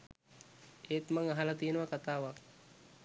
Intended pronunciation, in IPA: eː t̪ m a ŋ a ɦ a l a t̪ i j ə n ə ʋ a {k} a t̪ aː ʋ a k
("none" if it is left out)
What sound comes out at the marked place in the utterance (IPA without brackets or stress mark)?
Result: k